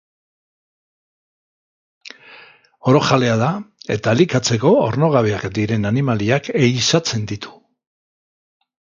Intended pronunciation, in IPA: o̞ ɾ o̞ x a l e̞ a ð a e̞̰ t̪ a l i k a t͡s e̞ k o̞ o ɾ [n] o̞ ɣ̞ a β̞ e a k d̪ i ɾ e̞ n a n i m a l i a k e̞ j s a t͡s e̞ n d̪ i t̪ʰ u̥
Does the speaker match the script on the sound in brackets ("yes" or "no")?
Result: yes